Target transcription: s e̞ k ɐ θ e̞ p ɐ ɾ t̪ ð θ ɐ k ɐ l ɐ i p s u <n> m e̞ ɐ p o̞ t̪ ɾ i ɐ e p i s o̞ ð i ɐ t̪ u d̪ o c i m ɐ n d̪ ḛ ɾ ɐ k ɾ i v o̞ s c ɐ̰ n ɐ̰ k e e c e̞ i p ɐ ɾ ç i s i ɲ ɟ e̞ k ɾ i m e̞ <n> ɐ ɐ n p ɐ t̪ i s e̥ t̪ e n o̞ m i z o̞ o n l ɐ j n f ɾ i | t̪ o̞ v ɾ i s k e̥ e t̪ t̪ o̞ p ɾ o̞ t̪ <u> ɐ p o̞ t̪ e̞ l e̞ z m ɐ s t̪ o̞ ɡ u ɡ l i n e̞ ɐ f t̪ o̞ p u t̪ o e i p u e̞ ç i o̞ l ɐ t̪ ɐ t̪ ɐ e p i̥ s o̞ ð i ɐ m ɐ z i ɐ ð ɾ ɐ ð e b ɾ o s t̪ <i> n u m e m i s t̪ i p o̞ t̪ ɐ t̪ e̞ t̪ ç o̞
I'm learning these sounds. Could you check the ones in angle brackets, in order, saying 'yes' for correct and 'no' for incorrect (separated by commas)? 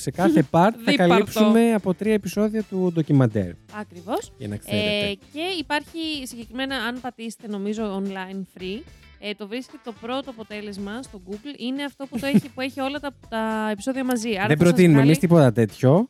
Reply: no, yes, no, yes